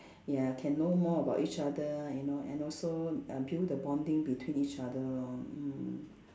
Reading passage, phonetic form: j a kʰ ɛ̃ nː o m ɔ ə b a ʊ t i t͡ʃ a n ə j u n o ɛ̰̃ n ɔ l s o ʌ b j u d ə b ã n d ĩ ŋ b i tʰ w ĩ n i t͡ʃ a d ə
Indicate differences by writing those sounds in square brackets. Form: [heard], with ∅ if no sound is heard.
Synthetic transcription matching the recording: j a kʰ ɛ̃ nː o m ɔ ə b a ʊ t i t͡ʃ a [d] ə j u n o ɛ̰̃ n ɔ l s o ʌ b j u d ə b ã n d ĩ ŋ b i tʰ w ĩ n i t͡ʃ a d ə